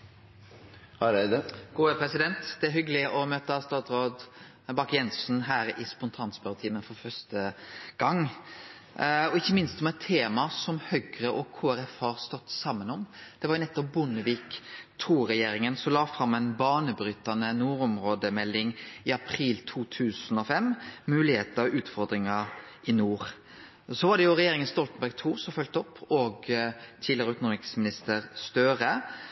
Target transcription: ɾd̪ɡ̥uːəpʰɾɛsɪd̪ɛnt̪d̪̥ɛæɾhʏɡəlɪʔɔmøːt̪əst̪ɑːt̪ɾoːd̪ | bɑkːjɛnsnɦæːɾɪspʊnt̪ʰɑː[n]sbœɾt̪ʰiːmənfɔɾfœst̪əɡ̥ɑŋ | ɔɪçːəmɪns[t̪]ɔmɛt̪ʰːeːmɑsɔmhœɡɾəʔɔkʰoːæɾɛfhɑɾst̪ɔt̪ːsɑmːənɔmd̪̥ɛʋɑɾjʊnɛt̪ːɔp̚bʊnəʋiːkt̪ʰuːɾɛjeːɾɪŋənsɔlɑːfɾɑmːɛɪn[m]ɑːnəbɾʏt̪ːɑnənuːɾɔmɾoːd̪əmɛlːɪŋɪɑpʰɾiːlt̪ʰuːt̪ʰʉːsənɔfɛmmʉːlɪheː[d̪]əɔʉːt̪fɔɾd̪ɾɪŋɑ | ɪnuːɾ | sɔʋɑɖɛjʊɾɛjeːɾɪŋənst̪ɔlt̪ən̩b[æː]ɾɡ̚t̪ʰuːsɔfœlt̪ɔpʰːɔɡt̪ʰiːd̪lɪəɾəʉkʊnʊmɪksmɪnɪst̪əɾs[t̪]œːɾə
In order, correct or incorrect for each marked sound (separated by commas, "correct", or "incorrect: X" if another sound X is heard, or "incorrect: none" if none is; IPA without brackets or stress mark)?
correct, correct, incorrect: b, incorrect: t̪, incorrect: æ, correct